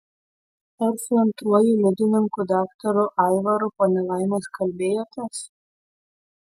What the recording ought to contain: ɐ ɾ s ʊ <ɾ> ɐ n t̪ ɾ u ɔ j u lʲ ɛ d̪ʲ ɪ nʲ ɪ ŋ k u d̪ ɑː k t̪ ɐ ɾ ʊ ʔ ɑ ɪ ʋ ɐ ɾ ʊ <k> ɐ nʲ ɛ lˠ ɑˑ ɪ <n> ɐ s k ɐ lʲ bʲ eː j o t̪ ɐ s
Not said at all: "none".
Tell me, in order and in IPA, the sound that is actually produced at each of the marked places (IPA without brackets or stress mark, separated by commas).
none, p, m